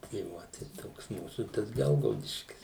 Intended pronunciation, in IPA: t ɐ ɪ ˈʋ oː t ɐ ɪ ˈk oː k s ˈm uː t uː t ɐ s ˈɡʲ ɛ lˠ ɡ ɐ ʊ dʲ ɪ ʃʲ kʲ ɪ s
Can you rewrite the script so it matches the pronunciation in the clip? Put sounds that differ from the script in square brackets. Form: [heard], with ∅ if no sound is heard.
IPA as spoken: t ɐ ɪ ˈʋ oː t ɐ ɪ [ˈt] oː k s ˈm uː [s] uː t ɐ s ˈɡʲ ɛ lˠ ɡ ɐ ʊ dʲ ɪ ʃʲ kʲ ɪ s